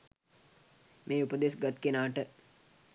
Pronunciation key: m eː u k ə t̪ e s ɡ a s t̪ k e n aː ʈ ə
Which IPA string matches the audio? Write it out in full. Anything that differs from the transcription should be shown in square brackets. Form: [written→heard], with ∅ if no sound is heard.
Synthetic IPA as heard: m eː u [k→p] ə [t̪→d̪] e s ɡ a [s→∅] t̪ k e n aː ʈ ə